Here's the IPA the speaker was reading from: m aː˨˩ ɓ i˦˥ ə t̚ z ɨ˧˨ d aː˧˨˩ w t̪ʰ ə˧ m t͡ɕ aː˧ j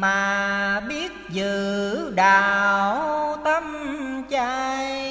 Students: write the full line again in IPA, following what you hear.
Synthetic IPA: m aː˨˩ ɓ i˦˥ ə t̚ z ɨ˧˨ ɗ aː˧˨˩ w t̪ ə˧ m t͡ɕ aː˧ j